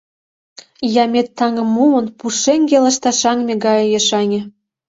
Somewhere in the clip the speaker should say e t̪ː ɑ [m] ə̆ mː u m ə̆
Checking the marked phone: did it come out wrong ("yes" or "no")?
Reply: yes